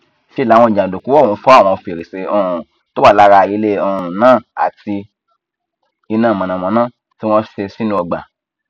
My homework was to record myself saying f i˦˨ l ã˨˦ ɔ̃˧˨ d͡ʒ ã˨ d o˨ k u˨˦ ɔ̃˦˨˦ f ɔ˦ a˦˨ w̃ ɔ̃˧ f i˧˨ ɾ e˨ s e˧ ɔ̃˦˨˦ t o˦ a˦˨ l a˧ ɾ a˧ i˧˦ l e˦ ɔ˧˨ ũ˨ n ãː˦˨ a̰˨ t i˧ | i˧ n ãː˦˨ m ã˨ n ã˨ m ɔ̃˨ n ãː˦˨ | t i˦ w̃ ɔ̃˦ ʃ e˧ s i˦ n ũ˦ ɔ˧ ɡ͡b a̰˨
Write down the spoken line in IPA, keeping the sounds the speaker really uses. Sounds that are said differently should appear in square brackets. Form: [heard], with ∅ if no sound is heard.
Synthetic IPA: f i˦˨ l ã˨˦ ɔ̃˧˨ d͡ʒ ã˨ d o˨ k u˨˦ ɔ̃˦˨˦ f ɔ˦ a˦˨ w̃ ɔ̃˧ f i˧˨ ɾ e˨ s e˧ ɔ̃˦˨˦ t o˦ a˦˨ l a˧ ɾ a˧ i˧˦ l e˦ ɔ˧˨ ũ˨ n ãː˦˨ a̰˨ t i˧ | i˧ n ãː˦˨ m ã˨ n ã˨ m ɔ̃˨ n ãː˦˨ | t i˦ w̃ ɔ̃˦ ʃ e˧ s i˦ n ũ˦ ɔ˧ ɡ͡b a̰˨

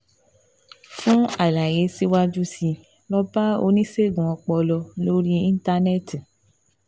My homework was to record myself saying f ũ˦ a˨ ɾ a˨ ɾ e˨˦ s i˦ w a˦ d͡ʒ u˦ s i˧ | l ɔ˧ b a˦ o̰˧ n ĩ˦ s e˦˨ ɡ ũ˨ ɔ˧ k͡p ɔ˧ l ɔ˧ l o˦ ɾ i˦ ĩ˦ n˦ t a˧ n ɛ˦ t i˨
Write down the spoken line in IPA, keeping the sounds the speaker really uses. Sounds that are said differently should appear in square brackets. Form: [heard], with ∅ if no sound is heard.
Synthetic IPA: f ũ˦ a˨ [l] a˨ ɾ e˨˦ s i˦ w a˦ d͡ʒ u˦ s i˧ | l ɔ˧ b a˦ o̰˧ n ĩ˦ s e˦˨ ɡ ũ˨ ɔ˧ k͡p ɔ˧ l ɔ˧ l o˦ ɾ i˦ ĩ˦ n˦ t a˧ n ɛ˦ t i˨

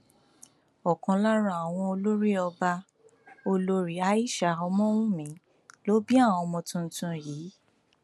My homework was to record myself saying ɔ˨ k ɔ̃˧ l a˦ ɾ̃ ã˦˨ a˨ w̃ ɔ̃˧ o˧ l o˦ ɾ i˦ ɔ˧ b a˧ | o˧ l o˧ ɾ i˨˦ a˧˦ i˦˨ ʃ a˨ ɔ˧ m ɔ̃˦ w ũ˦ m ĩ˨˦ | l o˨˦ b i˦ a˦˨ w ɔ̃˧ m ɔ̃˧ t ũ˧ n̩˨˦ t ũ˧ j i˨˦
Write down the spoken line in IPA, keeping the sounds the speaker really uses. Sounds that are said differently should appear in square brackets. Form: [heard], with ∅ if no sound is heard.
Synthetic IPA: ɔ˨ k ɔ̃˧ l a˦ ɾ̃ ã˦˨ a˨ w̃ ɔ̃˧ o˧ l o˦ ɾ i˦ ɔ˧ b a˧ | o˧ l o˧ ɾ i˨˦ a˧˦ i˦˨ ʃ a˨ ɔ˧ m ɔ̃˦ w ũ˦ m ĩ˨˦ | l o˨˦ b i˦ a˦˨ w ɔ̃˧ m ɔ̃˧ t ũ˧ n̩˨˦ t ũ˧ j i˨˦

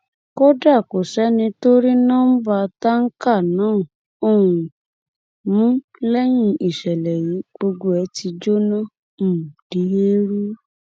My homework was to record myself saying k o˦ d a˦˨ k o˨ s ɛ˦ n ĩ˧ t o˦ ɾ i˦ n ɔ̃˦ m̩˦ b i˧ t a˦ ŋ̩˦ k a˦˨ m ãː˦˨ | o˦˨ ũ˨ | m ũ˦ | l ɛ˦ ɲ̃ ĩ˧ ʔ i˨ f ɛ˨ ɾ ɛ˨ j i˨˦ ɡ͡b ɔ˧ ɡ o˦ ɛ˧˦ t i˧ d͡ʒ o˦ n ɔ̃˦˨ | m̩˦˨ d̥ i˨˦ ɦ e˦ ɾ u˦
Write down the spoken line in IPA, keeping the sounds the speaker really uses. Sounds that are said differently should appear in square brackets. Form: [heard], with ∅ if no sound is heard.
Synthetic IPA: k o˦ d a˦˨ k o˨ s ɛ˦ n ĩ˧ t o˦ ɾ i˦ n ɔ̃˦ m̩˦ b [a˧] t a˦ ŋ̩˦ k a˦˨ [n] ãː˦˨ | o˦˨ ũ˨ | m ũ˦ | l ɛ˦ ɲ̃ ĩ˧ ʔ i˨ [ʃ] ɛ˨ [l] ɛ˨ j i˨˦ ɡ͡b [o˧] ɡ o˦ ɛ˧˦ t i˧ d͡ʒ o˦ n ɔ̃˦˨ | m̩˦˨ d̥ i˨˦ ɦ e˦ ɾ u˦

